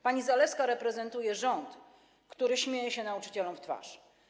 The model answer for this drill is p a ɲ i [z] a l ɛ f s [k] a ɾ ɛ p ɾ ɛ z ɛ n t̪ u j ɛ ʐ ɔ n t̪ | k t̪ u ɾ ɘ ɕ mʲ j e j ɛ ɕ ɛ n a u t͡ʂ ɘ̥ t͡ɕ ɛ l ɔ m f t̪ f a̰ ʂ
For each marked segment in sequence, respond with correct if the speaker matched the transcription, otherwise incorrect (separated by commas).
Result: correct, correct